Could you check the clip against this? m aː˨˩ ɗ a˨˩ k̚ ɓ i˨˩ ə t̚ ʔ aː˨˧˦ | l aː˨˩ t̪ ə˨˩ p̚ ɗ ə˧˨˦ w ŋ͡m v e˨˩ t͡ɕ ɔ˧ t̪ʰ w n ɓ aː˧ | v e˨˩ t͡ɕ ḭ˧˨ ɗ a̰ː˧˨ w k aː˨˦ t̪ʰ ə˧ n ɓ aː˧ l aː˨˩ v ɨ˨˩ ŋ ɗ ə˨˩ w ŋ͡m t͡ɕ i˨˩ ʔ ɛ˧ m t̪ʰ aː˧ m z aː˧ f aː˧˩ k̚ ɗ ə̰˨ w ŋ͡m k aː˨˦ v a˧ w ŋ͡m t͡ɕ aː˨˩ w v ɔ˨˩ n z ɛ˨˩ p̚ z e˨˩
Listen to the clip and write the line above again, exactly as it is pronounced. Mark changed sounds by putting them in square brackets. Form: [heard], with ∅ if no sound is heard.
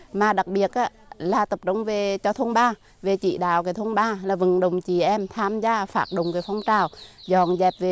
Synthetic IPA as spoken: m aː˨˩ ɗ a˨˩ k̚ ɓ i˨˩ ə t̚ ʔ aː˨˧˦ | l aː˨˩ t̪ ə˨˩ p̚ ɗ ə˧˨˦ w ŋ͡m v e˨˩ t͡ɕ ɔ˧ t̪ʰ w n ɓ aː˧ | v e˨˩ t͡ɕ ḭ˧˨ ɗ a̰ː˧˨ w k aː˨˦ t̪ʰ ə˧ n ɓ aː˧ l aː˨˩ v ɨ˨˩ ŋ ɗ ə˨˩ w ŋ͡m t͡ɕ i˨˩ ʔ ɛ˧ m t̪ʰ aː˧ m z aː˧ f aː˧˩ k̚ ɗ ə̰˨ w ŋ͡m k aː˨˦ [f] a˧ w ŋ͡m t͡ɕ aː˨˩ w [z] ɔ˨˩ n z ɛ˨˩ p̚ [v] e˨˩